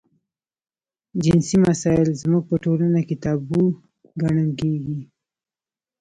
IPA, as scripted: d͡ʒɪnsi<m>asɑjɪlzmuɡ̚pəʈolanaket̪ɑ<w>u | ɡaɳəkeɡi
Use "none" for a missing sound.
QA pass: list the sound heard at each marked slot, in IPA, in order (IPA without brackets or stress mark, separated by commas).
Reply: m, b